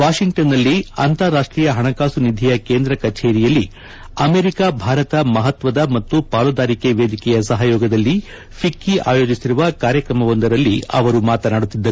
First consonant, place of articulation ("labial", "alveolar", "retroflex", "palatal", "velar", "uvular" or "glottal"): labial